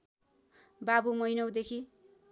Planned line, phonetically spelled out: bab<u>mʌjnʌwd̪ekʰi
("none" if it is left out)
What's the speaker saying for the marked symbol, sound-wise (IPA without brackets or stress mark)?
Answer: u